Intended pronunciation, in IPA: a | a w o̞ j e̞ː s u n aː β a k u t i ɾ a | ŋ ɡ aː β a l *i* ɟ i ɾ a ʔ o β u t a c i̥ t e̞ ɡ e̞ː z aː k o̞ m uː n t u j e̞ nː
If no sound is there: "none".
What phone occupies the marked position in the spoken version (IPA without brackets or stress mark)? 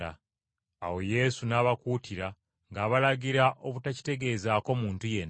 a